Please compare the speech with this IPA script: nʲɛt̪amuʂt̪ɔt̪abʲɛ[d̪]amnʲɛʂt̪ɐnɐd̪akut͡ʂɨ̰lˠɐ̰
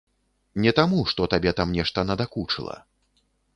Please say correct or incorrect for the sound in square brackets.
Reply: incorrect